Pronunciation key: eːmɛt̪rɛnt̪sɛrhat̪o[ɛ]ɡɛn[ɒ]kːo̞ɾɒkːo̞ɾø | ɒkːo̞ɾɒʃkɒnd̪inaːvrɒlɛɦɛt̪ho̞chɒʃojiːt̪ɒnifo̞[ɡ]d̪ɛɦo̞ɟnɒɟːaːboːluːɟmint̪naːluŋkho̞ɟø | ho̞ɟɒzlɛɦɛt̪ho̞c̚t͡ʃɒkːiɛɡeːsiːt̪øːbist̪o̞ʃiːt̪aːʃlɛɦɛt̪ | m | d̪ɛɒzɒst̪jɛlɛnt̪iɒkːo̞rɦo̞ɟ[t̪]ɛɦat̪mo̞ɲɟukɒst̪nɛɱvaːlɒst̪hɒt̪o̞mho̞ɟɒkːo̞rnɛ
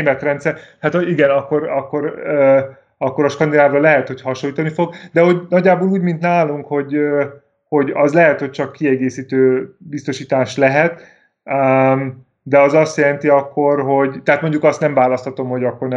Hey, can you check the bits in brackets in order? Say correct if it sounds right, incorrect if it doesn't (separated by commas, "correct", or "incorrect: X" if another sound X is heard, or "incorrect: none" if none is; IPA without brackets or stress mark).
incorrect: i, correct, correct, correct